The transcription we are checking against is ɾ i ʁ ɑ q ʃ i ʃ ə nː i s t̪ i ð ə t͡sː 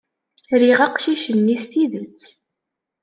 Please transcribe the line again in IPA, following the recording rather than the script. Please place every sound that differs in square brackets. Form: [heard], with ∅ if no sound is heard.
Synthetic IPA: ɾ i ʁ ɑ q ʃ i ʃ ə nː i s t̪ i ð ə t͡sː